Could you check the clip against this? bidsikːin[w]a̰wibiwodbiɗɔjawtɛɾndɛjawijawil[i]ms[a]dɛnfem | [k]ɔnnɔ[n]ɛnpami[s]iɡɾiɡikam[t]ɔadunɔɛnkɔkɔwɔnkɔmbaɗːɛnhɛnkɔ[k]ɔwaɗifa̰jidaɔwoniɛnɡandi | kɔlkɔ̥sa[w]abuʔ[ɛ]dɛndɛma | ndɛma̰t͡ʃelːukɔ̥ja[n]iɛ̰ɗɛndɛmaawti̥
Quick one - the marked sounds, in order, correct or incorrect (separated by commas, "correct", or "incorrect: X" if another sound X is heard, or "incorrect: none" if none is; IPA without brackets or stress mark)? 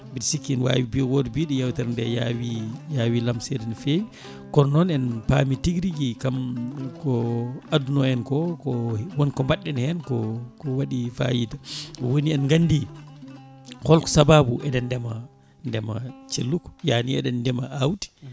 correct, incorrect: a, incorrect: ɛ, correct, correct, incorrect: t, incorrect: k, correct, incorrect: b, correct, correct